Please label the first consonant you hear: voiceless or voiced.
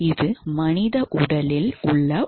voiced